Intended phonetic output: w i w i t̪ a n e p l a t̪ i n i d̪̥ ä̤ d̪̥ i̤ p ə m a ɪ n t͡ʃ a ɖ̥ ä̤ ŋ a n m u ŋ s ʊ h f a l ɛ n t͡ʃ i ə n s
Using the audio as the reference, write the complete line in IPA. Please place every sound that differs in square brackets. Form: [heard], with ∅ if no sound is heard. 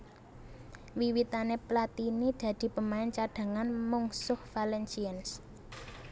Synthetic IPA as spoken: w i w i t̪ a n e p l a t̪ i n i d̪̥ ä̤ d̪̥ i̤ p ə m a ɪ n t͡ʃ a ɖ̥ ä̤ ŋ a n m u ŋ s ʊ h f a l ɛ n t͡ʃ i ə n s